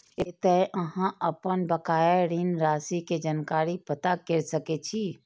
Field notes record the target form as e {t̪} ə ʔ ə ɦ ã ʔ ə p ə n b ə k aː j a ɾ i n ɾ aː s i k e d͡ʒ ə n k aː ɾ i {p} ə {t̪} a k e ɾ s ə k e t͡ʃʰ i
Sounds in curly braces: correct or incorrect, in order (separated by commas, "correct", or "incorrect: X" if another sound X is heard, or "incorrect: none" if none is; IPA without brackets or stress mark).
correct, correct, correct